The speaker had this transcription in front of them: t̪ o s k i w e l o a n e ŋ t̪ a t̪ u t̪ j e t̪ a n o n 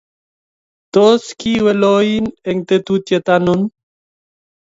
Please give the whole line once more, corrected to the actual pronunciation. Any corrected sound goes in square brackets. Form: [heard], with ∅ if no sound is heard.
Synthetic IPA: t̪ o s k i w e l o [i] n e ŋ t̪ [e] t̪ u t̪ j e t̪ a n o n